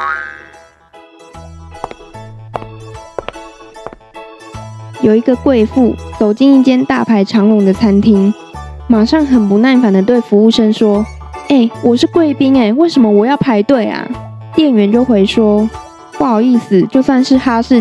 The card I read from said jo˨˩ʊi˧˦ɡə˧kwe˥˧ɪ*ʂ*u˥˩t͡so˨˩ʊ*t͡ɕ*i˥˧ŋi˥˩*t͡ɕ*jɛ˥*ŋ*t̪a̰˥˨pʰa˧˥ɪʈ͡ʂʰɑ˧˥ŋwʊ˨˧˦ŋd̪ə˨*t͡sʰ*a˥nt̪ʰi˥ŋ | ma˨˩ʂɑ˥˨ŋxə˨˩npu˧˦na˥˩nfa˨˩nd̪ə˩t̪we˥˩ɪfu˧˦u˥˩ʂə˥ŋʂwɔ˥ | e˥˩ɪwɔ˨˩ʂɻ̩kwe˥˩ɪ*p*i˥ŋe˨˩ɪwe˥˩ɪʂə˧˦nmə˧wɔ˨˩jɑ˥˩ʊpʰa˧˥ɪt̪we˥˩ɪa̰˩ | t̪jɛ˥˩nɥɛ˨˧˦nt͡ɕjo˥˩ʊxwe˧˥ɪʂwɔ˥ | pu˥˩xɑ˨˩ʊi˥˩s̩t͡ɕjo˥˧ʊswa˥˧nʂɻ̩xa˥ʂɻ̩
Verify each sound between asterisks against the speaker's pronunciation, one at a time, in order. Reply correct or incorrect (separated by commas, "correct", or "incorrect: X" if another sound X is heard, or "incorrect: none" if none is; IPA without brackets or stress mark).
incorrect: f, correct, correct, incorrect: n, correct, correct